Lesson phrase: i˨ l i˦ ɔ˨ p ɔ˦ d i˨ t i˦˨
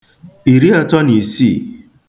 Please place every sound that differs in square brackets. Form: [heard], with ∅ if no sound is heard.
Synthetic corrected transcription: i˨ [ɾ] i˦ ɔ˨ [t] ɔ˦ [n] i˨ [s] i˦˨